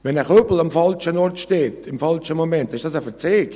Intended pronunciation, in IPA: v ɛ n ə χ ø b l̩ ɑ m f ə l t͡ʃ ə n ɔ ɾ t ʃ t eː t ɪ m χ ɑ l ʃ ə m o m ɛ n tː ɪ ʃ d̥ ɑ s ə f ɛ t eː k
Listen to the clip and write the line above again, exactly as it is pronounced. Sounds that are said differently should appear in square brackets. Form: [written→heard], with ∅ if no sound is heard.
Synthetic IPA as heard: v ɛ n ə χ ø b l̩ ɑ m f [ə→ɑ] l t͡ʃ ə n ɔ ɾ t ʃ t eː t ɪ m [χ→f] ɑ l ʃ ə m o m ɛ n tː ɪ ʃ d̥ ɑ s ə f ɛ [t→t͡s] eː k